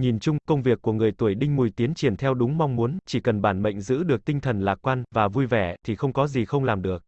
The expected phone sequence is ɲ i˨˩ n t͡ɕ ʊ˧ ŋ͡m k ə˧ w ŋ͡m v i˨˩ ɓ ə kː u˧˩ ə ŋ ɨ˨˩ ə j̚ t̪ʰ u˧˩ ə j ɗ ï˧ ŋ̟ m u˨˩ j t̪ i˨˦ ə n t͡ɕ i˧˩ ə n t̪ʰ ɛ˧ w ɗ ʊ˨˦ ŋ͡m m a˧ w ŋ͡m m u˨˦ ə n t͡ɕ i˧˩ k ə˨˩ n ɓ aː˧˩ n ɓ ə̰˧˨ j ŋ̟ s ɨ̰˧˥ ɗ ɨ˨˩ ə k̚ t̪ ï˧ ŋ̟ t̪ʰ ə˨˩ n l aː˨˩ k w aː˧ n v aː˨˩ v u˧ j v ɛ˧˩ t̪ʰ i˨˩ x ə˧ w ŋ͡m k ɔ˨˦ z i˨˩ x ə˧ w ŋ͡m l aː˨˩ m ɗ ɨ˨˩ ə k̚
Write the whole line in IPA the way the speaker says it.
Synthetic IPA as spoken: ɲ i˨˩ n t͡ɕ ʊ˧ ŋ͡m k ə˧ w ŋ͡m v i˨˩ ə kː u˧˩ ə ŋ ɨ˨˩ ə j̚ t̪ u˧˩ ə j ɗ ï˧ ŋ̟ m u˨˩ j t̪ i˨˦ ə n t͡ɕ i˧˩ ə n t̪ʰ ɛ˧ w ɗ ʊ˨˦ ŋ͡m m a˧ w ŋ͡m m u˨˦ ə n t͡ɕ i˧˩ k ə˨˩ n ɓ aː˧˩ n ɓ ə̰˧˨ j ŋ̟ z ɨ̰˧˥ ɗ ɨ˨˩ ə k̚ t̪ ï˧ ŋ̟ t̪ʰ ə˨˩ n l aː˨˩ k w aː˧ n v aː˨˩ v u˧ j v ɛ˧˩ t̪ʰ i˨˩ x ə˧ w ŋ͡m k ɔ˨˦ z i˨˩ x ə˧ w ŋ͡m l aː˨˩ m ɗ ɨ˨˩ ə k̚